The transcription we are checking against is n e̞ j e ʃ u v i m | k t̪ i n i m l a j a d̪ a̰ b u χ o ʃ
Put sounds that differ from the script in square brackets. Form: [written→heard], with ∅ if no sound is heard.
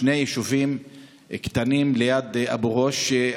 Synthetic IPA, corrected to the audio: n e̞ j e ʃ u v i m | k t̪ [i→a] n i m l [a→e] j a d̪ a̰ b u [χ→ʁ] o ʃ